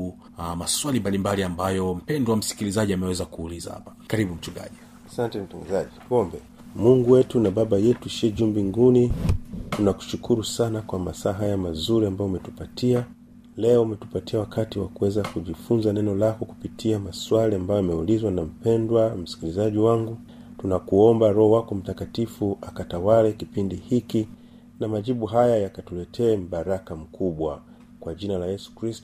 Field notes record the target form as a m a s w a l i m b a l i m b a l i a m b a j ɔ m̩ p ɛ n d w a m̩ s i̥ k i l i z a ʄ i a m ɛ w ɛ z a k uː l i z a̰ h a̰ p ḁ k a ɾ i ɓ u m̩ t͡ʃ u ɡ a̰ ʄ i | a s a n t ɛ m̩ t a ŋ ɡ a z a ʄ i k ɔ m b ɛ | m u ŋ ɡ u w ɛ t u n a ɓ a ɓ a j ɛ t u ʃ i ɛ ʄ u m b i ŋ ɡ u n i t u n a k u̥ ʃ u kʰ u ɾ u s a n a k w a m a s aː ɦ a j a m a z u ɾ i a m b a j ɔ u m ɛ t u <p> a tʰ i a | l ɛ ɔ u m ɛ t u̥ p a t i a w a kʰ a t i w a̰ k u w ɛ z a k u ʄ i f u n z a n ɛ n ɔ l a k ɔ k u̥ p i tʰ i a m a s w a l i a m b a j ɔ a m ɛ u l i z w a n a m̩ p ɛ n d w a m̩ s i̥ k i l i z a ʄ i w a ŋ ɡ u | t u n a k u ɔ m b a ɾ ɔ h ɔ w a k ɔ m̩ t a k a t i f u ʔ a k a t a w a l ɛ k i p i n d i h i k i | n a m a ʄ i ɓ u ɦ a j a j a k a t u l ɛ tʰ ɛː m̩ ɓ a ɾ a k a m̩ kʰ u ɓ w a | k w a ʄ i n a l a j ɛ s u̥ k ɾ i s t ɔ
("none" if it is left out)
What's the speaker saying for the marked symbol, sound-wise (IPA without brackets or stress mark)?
p